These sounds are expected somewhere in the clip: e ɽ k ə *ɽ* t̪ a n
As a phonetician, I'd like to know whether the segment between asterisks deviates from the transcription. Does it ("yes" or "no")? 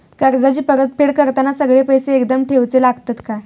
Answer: yes